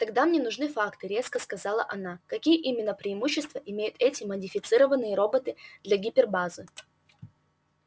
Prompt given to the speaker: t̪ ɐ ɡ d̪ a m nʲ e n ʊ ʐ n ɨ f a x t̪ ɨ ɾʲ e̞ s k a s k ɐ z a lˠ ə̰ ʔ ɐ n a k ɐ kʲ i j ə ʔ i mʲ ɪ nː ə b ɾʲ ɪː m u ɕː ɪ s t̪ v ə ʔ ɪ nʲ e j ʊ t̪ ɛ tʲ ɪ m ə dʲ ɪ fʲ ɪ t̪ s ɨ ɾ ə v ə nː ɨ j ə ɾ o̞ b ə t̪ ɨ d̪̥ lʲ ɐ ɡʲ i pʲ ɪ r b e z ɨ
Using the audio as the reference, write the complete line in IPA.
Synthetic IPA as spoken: t̪ ɐ ɡ d̪ a m nʲ e n ʊ ʐ n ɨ f a k t̪ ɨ ɾʲ e̞ s k ə s k ɐ z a lˠ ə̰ ʔ ɐ n a k ɐ kʲ i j ə ʔ i mʲ ɪ nː ə p ɾʲ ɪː m u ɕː ɪ s t̪ v ə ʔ ɪ mʲ e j ʊ t̪ ɛ tʲ ɪ m ə dʲ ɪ fʲ ɪ t̪ s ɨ ɾ ə v ə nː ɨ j ə ɾ o̞ b ə t̪ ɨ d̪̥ lʲ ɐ ɡʲ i pʲ ɪ r b a z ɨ